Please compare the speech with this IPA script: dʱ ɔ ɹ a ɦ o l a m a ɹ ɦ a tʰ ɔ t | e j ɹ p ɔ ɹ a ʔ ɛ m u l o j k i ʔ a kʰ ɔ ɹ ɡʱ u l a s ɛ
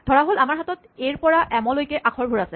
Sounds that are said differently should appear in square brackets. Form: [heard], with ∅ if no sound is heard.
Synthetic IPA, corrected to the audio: dʱ ɔ ɹ a ɦ o l a m a ɹ ɦ a [t] ɔ t | e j ɹ p ɔ ɹ a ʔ ɛ m [ɔ] l o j k [ɛ] ʔ a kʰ ɔ ɹ [bʱ] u [ɹ] a s ɛ

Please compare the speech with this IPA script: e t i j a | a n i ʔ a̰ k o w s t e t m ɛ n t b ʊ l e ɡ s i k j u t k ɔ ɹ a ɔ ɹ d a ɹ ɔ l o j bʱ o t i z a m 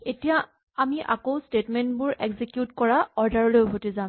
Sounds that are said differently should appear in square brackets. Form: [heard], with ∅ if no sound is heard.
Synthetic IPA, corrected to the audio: e t i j a | a [m] i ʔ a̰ k o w s t e t m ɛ n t b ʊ [ɹ] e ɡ [z] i k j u t k ɔ ɹ a ɔ ɹ d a ɹ ɔ l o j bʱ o t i z a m

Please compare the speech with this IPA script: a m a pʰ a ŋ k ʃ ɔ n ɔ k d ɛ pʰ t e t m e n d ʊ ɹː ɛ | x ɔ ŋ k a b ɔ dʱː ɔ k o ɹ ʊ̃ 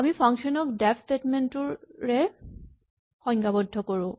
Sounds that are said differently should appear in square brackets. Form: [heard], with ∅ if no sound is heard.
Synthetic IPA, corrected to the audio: a m [i] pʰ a ŋ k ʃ ɔ n ɔ k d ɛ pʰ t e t m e n [t] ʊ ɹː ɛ | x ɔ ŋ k a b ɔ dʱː ɔ k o ɹ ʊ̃

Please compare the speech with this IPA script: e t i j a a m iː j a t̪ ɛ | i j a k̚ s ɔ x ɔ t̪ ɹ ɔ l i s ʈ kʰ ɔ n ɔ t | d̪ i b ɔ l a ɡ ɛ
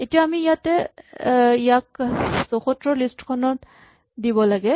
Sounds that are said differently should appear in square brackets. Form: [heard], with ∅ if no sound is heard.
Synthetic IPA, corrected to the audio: e t i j a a m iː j a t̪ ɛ | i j a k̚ s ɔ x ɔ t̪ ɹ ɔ l i s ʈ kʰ ɔ n ɔ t | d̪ i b ɔ l a ɡ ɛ

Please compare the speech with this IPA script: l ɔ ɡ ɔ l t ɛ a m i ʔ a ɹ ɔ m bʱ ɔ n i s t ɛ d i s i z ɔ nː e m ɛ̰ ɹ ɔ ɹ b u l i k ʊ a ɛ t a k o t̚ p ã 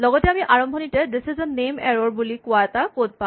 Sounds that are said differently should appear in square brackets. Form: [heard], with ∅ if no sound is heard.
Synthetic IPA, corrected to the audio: l ɔ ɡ ɔ [∅] t ɛ a m i ʔ a ɹ ɔ m bʱ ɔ n i [∅] t ɛ d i s i z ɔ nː e m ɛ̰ ɹ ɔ ɹ b u l i k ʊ a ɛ t a k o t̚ p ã

